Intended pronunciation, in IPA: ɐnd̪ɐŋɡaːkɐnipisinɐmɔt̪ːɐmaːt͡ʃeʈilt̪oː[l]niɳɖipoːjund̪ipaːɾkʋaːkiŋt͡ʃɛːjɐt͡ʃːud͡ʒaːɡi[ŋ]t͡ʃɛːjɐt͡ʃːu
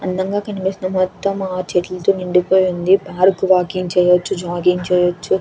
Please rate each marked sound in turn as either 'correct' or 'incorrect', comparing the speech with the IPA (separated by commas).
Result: incorrect, correct